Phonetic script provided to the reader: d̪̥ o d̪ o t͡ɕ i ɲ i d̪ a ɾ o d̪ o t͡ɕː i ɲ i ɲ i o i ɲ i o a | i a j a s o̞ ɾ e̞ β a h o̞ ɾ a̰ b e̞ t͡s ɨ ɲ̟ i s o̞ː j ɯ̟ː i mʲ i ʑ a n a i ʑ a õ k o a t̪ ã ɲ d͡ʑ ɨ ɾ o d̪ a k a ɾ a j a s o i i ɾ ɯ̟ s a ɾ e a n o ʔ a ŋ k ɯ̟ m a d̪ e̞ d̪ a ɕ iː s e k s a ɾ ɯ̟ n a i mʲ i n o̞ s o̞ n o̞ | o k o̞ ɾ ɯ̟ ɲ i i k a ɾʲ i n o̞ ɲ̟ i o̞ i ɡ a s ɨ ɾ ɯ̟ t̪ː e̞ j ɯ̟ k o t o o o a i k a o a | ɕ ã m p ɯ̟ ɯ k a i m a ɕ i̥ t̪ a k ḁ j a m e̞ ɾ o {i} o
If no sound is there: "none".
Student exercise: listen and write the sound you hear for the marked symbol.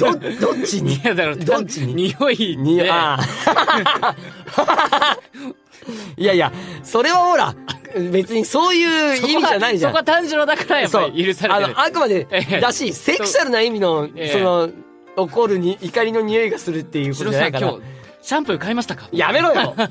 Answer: j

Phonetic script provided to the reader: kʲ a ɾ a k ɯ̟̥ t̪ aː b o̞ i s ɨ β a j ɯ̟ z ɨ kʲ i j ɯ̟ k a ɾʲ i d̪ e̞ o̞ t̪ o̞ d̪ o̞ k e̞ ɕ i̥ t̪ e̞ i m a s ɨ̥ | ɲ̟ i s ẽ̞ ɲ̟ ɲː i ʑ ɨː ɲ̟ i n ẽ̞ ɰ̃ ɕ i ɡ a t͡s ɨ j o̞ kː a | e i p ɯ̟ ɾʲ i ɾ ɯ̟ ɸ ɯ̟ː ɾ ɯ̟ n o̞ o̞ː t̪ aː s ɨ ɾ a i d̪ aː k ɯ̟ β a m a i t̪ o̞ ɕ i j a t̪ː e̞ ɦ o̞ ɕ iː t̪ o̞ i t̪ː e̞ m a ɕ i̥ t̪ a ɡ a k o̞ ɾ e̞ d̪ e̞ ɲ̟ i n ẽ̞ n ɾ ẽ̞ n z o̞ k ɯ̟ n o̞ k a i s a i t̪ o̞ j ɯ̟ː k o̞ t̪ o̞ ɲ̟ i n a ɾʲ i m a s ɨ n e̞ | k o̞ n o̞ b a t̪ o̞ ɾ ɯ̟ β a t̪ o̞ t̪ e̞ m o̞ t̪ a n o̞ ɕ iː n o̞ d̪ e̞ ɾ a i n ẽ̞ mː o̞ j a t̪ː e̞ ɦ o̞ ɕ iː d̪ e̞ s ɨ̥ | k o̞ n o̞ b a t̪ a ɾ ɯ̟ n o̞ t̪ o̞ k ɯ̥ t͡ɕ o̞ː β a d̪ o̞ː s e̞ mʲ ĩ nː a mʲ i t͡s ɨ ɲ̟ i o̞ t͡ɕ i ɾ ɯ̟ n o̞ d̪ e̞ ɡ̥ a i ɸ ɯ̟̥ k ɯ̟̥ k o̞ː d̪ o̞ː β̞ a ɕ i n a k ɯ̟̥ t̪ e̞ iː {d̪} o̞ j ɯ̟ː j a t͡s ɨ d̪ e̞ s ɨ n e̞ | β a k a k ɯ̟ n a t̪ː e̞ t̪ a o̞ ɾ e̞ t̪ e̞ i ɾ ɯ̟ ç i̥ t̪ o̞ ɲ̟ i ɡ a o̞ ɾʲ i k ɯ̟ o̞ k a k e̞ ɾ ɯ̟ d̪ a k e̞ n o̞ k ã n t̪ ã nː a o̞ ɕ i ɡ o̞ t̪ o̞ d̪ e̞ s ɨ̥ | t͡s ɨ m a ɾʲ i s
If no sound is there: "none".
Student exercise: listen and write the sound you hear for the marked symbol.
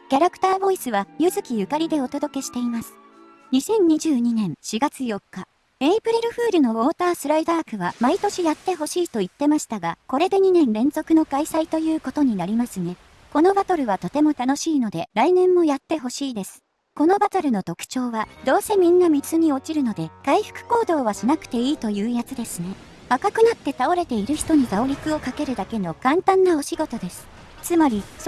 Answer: t̪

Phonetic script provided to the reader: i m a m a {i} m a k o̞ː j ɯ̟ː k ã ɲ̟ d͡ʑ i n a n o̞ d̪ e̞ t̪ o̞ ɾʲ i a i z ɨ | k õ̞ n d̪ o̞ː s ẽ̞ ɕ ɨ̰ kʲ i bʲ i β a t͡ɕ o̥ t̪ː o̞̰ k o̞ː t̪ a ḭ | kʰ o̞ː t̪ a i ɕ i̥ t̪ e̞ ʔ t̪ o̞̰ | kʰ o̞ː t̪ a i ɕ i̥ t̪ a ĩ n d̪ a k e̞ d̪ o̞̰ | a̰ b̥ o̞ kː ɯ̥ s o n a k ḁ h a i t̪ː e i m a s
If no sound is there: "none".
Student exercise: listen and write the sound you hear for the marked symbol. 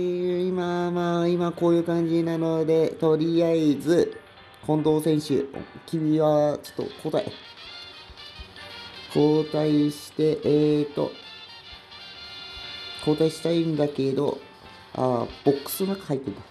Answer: i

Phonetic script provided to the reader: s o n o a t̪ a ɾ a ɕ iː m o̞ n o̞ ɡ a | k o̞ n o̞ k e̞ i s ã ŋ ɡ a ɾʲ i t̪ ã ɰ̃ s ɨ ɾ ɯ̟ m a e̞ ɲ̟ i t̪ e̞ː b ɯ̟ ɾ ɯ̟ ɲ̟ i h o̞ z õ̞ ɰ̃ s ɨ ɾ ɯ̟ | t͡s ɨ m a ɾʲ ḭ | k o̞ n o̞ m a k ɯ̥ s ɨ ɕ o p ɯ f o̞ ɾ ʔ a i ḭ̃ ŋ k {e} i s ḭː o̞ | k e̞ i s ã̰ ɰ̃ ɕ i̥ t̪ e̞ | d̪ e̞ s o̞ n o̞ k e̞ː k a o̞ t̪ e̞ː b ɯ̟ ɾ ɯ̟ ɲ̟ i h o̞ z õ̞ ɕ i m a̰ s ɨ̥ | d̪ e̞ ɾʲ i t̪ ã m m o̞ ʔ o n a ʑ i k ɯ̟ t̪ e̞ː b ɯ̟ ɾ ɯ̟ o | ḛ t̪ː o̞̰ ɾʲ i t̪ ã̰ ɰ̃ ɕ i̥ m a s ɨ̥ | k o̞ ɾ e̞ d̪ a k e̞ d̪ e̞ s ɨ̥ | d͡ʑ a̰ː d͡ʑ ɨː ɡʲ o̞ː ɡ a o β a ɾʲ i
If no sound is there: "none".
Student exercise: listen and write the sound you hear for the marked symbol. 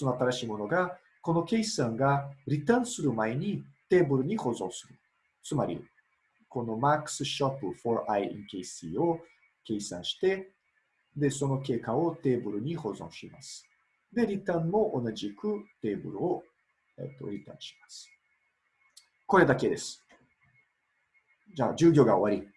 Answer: e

